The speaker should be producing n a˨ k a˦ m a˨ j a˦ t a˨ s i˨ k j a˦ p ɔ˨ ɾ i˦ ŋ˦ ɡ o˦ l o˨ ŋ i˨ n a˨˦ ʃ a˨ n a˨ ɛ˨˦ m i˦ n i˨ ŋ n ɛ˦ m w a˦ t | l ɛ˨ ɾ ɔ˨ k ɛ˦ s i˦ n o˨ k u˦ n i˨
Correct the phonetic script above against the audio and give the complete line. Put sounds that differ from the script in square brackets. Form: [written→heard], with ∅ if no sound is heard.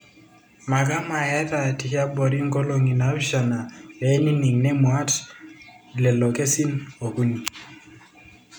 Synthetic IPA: [n→m] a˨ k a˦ m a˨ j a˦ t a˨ [s→t] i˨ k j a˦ [p→b] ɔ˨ ɾ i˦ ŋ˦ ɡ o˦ l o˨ ŋ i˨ n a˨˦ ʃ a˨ n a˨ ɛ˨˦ [m→n] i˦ n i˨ ŋ n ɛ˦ m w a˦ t | l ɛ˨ [ɾ→l] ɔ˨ k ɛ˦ s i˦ n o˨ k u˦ n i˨